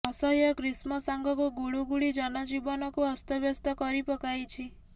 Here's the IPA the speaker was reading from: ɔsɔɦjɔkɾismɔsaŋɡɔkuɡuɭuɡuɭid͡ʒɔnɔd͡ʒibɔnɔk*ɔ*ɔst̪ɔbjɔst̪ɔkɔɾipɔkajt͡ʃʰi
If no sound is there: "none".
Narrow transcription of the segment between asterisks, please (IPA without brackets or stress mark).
u